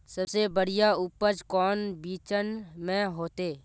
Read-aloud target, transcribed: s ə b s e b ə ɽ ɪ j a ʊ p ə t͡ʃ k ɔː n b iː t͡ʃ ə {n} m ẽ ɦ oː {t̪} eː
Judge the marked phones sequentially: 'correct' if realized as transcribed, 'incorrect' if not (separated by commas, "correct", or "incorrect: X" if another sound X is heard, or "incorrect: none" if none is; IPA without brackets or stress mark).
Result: correct, correct